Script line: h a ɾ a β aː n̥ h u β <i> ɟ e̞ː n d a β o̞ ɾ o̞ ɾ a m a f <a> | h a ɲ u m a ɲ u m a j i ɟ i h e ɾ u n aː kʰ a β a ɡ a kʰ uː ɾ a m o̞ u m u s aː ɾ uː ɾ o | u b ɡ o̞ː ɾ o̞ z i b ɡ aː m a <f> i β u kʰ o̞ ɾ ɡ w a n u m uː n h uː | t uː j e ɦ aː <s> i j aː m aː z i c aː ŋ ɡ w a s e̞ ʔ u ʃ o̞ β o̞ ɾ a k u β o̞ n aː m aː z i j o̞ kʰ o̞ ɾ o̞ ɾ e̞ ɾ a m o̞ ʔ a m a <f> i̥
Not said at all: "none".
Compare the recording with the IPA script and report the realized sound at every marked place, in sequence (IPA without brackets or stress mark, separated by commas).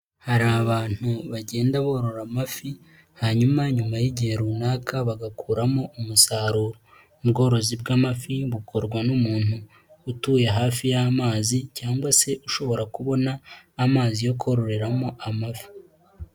a, i, f, f, f